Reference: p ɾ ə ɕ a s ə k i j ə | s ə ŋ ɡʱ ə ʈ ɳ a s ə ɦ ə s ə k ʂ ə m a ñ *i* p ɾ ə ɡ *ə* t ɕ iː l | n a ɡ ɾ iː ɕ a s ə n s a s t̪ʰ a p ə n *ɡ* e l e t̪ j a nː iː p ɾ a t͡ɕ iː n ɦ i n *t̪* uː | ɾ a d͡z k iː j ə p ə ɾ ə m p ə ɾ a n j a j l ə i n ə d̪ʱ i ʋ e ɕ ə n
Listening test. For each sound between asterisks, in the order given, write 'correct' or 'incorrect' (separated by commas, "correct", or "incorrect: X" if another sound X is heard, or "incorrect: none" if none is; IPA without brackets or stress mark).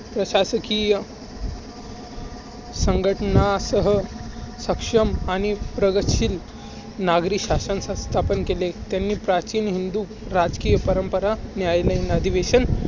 correct, correct, incorrect: k, incorrect: d̪